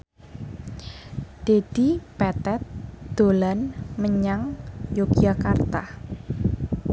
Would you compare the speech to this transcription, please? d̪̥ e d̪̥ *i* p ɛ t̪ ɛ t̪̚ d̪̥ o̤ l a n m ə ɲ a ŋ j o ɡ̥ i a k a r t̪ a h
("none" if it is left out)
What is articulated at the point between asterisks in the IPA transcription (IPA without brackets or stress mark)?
i